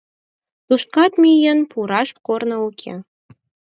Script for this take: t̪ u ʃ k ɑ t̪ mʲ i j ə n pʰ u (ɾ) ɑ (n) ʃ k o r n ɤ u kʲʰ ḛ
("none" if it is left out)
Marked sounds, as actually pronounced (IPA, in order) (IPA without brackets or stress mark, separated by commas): ɾ, none